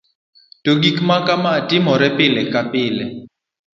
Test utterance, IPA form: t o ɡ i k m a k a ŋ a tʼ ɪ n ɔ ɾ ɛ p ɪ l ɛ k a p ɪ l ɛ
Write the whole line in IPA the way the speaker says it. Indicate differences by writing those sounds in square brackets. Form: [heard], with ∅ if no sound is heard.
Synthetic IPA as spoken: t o ɡ i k m a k a [m] a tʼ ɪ [m] ɔ ɾ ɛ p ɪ l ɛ k a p ɪ l ɛ